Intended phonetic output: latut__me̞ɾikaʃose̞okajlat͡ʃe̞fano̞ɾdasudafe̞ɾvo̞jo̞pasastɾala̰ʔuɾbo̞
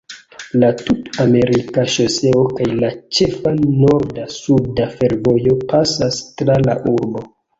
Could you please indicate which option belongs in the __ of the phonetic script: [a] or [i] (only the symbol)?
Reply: a